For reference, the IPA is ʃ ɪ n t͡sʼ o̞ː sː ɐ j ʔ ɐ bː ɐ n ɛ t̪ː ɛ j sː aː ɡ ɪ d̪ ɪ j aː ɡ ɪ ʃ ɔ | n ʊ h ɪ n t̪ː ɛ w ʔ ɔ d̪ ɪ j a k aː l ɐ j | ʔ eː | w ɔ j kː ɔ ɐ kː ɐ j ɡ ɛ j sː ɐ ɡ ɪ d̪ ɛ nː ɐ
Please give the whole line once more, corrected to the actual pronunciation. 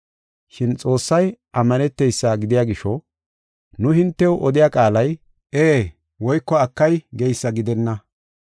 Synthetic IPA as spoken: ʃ ɪ n t͡sʼ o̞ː sː ɐ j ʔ ɐ mː ɐ n ɛ t̪ː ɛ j sː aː ɡ ɪ d̪ ɪ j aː ɡ ɪ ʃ ɔ | n ʊ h ɪ n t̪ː ɛ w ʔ ɔ d̪ ɪ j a kʼ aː l ɐ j | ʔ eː | w ɔ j kː ɔ ɐ kː ɐ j ɡ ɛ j sː ɐ ɡ ɪ d̪ ɛ nː ɐ